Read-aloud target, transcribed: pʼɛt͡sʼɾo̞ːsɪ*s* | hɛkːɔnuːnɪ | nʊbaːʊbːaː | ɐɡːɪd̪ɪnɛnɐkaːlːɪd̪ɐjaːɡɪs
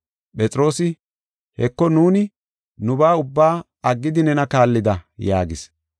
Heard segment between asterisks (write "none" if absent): none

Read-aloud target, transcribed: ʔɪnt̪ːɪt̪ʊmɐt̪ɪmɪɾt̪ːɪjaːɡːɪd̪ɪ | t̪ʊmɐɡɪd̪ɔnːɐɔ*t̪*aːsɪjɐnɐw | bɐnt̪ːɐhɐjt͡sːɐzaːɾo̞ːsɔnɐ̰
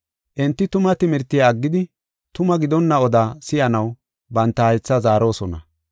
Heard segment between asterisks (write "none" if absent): d̪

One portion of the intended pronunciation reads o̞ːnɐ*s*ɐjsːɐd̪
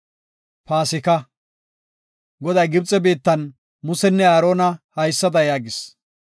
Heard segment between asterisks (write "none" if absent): h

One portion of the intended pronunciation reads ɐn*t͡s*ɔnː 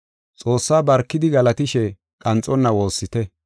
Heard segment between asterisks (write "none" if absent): t͡sʼ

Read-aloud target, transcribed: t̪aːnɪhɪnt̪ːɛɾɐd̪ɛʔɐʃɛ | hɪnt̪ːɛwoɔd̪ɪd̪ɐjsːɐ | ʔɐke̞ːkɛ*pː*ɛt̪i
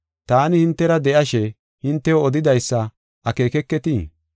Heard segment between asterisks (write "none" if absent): kː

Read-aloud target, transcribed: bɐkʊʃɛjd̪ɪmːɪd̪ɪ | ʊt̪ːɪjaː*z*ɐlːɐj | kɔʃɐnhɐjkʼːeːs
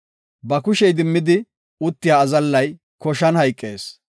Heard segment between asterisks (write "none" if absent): z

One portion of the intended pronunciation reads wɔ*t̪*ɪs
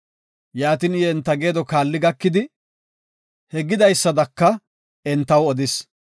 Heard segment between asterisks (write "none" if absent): d̪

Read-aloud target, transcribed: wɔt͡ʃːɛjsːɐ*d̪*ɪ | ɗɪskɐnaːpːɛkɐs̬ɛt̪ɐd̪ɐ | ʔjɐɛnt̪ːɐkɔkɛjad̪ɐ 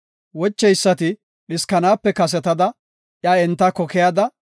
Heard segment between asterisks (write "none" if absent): t̪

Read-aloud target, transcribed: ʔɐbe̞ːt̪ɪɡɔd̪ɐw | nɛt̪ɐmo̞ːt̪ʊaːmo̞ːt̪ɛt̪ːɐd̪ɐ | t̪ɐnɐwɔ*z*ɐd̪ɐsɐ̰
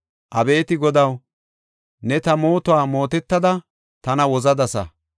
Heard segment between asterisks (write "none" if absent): z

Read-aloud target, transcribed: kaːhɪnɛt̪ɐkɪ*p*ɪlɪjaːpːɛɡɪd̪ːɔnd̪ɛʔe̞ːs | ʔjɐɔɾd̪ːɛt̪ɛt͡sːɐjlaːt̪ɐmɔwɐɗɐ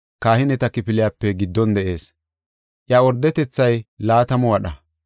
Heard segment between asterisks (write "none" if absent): p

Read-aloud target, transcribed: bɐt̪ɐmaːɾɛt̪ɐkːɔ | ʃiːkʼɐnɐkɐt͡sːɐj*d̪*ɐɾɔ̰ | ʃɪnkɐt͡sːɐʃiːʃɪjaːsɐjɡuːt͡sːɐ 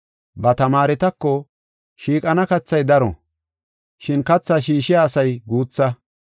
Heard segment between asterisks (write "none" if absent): d̪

